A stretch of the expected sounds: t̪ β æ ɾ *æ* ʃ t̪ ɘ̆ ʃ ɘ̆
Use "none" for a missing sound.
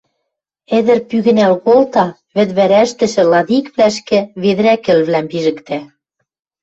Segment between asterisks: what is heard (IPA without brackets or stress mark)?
æ